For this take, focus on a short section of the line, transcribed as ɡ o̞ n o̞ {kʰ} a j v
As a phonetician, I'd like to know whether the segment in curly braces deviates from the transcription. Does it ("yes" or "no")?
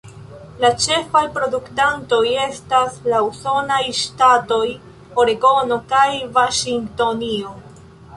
yes